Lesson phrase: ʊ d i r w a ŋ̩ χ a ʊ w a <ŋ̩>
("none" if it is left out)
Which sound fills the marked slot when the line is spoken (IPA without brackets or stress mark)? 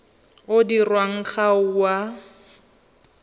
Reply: none